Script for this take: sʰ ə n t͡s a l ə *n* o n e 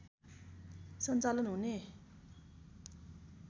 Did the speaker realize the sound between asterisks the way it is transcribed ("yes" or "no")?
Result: yes